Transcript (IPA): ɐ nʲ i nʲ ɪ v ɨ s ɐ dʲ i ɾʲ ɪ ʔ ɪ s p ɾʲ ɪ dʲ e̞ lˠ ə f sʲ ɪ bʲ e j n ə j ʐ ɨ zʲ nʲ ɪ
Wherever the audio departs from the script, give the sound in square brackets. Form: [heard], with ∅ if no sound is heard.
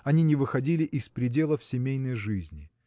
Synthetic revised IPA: ɐ nʲ i nʲ ɪ v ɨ [x] ɐ dʲ i [lʲ] ɪ ʔ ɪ s p ɾʲ ɪ dʲ e̞ lˠ ə f sʲ ɪ [mʲ] e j n ə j ʐ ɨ zʲ nʲ ɪ